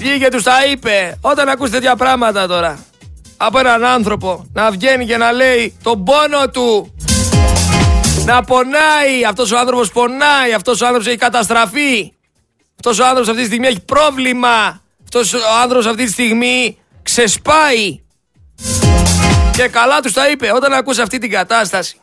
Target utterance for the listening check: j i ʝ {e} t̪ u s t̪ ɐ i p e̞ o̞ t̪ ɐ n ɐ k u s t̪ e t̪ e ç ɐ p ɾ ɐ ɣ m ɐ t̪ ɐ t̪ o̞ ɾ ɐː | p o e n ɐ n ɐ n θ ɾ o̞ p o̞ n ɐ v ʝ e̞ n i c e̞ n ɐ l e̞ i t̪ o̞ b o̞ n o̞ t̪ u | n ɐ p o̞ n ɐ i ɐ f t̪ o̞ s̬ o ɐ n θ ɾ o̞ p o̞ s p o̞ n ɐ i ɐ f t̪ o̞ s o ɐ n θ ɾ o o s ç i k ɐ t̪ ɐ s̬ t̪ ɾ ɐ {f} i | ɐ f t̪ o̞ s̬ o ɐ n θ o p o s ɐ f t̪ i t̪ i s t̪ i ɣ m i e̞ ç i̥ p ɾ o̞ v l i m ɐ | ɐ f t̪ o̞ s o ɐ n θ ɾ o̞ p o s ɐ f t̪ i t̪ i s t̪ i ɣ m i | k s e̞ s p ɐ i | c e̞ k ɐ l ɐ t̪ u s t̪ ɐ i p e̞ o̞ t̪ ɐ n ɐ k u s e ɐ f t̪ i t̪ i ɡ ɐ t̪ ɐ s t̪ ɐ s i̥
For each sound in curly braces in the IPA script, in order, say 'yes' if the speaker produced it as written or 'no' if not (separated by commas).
yes, yes